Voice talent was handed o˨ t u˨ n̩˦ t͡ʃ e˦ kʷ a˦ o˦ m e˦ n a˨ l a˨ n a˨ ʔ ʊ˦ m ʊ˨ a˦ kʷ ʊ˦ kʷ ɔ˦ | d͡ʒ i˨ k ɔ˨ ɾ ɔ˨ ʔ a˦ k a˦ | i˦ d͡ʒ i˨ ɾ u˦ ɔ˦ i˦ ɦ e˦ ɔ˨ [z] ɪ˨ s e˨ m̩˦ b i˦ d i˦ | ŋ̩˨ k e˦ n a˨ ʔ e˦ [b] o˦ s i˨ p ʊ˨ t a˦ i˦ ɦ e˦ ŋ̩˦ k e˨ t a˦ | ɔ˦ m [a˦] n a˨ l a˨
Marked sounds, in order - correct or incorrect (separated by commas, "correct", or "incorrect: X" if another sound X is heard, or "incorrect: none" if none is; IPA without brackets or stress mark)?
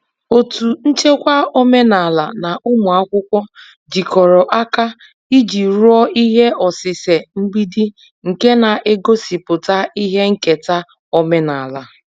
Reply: incorrect: s, incorrect: ɡ, incorrect: e˦